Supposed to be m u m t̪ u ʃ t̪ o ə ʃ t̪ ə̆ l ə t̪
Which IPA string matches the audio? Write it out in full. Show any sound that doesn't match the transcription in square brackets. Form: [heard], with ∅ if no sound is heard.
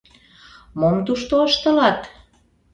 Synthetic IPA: m [o] m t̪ u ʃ t̪ o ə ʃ t̪ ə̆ l [ɑ] t̪